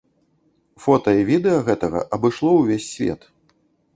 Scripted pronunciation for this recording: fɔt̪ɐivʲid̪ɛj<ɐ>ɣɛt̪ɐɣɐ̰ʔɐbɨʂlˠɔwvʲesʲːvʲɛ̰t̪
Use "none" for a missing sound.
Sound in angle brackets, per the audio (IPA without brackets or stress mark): ɐ